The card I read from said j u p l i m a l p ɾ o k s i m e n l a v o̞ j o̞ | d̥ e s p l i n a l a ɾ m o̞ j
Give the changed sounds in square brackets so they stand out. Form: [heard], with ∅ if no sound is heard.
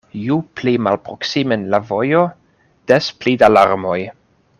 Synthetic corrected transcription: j u p l i m a l p ɾ o k s i m e n l a v o̞ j o̞ | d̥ e s p l i [d] a l a ɾ m o̞ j

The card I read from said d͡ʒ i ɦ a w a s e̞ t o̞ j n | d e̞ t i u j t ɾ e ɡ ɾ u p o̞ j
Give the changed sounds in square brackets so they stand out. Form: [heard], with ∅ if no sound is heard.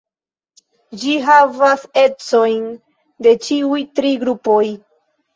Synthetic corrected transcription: d͡ʒ i ɦ a [v] a s e̞ [t͡s] o̞ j n | d e̞ [t͡ʃ] i u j t ɾ [i] ɡ ɾ u p o̞ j

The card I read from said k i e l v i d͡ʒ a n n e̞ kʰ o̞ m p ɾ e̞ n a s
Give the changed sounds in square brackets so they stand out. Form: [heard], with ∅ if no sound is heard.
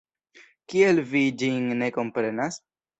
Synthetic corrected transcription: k i e l v i d͡ʒ [i] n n e̞ [k] o̞ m p ɾ e̞ n a s

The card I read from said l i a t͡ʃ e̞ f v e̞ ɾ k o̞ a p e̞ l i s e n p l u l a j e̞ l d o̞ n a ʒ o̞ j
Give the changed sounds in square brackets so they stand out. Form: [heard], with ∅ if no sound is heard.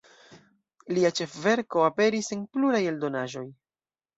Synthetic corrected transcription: l i a t͡ʃ e̞ f v e̞ ɾ k o̞ a p e̞ [ɾ] i s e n p l u [ɾ] a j e̞ l d o̞ n a ʒ o̞ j

